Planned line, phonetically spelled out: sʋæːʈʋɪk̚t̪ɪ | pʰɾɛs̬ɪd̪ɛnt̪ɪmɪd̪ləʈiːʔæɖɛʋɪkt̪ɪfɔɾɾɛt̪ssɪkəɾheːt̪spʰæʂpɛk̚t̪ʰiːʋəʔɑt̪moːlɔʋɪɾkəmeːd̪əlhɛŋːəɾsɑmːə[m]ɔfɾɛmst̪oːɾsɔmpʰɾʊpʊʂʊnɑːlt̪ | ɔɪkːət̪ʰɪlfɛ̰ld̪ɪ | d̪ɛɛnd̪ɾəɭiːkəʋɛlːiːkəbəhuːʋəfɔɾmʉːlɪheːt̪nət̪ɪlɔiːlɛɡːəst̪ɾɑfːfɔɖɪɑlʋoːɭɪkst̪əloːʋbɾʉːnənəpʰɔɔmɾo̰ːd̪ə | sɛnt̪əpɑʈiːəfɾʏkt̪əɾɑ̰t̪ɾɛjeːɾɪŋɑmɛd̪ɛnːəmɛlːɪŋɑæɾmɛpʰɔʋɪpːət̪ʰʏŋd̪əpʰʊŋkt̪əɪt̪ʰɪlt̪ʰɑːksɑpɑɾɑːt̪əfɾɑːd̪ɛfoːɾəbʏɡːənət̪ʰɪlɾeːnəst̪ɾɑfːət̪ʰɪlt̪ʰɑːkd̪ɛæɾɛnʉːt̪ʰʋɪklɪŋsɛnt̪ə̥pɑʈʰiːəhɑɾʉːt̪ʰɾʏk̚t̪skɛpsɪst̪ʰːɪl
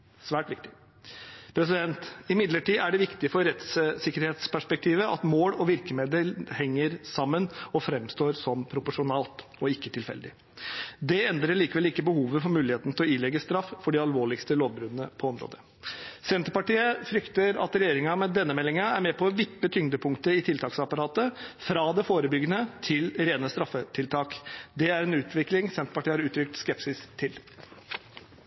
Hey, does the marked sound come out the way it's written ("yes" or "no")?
no